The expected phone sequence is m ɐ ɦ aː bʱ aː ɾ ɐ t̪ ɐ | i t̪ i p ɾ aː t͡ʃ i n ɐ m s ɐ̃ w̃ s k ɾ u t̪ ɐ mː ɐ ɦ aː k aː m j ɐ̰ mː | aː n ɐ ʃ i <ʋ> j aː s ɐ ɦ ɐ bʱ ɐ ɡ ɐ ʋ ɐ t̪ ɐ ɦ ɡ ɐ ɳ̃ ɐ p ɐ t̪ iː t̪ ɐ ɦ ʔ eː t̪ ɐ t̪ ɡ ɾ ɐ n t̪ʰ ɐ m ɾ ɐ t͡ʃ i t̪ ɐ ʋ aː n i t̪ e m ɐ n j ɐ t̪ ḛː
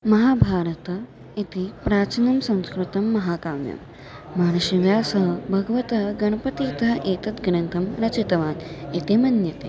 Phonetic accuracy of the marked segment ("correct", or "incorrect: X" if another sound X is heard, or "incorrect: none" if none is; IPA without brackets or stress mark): correct